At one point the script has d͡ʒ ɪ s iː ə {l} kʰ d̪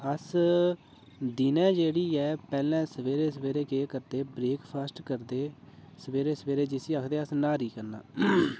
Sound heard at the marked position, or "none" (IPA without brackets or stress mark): none